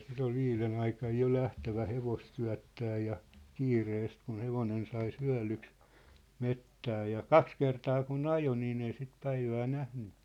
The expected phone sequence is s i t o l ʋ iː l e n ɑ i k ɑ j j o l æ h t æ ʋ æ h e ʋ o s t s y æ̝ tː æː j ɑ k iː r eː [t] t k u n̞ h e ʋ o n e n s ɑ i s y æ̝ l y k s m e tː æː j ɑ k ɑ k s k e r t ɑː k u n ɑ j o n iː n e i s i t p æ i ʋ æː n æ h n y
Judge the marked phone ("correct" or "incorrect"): incorrect